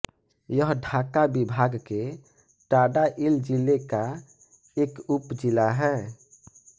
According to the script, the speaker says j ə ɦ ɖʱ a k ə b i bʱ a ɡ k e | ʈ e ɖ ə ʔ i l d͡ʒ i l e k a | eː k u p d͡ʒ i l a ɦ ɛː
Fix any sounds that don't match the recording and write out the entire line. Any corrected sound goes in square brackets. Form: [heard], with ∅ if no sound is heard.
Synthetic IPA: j ə ɦ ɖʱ a k [a] b i bʱ a ɡ k e | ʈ [a] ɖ [a] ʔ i l d͡ʒ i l e k a | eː k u p d͡ʒ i l a ɦ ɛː

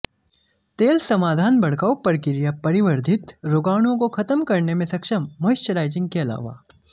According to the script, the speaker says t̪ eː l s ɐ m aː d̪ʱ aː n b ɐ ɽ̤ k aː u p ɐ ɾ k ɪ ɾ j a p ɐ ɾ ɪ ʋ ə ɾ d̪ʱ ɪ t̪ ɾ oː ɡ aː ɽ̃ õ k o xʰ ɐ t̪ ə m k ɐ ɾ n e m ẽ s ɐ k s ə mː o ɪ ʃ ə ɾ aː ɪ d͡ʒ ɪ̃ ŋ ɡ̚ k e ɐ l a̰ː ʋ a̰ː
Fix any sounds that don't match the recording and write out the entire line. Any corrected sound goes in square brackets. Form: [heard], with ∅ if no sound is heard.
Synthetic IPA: t̪ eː l s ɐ m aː d̪ʱ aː n b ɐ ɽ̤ k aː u p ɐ ɾ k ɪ ɾ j a p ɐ ɾ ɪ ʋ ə ɾ d̪ʱ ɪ t̪ ɾ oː ɡ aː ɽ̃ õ k o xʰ ɐ t̪ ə m k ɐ ɾ n e m ẽ s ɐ k [ʃ] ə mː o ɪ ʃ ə ɾ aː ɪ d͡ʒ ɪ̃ ŋ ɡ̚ k e ɐ l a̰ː ʋ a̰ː

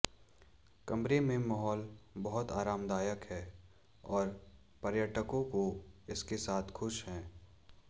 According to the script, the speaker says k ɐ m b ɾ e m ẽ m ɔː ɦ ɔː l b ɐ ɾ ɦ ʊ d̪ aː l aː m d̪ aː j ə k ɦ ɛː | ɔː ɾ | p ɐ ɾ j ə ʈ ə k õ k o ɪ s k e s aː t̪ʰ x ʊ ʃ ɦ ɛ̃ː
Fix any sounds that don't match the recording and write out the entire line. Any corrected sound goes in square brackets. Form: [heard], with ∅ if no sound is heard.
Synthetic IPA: k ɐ m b ɾ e m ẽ m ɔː ɦ ɔː l b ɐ [∅] ɦ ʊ [t̪] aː [ɾ] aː m d̪ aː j ə k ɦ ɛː | ɔː ɾ | p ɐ ɾ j ə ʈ ə k õ k o ɪ s k e s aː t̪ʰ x ʊ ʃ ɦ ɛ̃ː

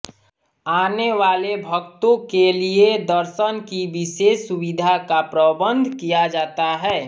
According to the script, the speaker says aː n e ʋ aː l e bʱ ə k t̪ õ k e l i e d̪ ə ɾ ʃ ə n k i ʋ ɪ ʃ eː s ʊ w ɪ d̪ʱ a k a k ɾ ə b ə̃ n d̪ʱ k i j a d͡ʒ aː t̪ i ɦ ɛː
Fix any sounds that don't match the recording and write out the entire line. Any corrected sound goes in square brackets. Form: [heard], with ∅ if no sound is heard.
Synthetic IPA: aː n e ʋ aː l e bʱ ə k t̪ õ k e l i e d̪ ə ɾ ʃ ə n k i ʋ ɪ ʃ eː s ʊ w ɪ d̪ʱ a k a [p] ɾ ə b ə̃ n d̪ʱ k i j a d͡ʒ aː t̪ [a] ɦ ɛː

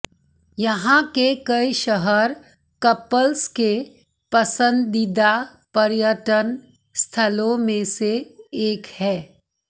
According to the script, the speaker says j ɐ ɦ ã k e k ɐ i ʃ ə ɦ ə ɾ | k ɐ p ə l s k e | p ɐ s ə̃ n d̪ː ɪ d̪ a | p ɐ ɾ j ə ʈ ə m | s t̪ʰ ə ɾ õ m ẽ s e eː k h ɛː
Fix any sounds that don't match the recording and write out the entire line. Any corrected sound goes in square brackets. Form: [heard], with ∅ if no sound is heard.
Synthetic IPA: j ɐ ɦ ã k e k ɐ i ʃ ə ɦ ə ɾ | k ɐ p ə l s k e | p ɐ s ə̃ n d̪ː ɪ d̪ a | p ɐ ɾ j ə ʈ ə [n] | s t̪ʰ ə [l] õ m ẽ s e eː k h ɛː

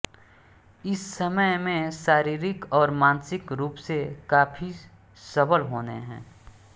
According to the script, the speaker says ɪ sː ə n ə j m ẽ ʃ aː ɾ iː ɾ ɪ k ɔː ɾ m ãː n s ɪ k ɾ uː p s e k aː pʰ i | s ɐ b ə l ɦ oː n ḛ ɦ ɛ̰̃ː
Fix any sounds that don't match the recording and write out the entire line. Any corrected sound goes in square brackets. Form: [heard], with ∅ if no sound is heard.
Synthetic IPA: ɪ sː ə [m] ə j m ẽ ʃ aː ɾ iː ɾ ɪ k ɔː ɾ m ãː n s ɪ k ɾ uː p s e k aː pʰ i | s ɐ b ə l ɦ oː n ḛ ɦ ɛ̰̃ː

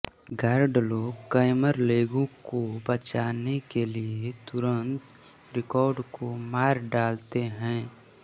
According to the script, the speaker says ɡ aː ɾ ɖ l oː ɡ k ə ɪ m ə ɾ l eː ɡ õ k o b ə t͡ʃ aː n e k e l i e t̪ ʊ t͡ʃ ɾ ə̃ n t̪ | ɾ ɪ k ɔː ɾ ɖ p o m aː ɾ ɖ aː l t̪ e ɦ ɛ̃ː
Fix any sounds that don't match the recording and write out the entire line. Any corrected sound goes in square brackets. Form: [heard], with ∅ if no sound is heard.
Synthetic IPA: ɡ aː ɾ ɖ l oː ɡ k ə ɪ m ə ɾ l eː ɡ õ k o b ə t͡ʃ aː n e k e l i e t̪ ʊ [∅] ɾ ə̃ n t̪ | ɾ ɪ k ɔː ɾ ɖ [k] o m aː ɾ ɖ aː l t̪ e ɦ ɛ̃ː

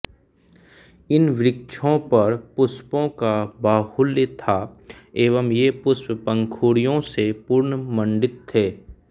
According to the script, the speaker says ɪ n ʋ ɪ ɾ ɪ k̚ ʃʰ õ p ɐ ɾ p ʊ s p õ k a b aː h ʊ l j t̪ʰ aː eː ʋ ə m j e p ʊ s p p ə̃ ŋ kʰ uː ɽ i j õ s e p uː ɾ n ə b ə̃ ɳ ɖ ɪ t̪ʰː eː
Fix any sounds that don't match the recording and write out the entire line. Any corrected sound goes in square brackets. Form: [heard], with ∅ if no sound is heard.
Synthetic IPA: ɪ n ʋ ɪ ɾ ɪ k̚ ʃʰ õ p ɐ ɾ p ʊ s p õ k a b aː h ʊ l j t̪ʰ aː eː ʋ ə m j e p ʊ s p p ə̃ ŋ kʰ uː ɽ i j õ s e p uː ɾ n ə [m] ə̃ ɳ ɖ ɪ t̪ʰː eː

